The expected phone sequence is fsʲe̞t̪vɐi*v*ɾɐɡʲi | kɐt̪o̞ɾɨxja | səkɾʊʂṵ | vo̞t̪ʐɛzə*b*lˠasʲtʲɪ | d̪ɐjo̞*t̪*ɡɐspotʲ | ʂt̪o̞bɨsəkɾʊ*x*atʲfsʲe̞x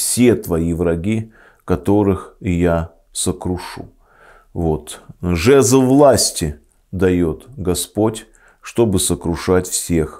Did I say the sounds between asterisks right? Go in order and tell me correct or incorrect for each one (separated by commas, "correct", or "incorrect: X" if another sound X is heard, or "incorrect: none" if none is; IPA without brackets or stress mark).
correct, incorrect: v, correct, incorrect: ʂ